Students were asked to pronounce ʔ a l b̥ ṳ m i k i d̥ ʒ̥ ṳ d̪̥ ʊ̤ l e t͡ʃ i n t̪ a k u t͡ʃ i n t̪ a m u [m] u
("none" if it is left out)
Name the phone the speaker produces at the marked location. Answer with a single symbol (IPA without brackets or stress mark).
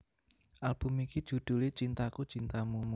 m